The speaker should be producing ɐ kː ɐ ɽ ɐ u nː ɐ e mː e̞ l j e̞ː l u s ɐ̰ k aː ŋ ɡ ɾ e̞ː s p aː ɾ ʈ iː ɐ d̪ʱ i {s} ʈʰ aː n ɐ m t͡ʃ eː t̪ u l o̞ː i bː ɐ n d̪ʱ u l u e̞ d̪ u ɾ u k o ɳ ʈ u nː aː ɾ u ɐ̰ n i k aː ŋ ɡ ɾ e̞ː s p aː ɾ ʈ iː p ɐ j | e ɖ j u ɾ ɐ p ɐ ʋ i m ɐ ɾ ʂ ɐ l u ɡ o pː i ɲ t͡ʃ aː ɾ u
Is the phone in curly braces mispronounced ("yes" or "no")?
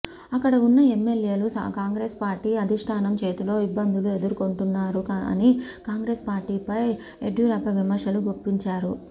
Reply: yes